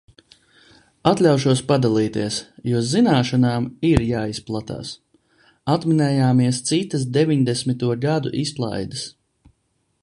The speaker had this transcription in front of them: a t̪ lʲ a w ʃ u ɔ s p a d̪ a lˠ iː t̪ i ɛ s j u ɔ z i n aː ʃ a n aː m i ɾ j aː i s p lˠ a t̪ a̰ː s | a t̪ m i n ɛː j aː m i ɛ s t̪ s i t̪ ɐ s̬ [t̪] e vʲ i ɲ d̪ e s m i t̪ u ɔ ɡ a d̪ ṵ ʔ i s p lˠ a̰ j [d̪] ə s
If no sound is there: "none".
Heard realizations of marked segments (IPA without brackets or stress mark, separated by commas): d̪, d̪